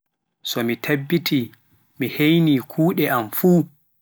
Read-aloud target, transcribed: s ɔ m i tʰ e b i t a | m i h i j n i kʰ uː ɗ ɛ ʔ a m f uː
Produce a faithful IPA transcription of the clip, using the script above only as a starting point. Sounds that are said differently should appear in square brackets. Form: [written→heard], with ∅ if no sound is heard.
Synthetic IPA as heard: s ɔ m i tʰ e [b→bː] i t [a→i] | m i h [i→e] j n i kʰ uː ɗ ɛ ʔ a m f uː